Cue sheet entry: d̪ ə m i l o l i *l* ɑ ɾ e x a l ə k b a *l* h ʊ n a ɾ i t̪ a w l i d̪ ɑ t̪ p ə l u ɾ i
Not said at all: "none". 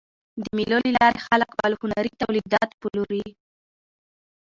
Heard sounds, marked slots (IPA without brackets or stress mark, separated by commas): l, l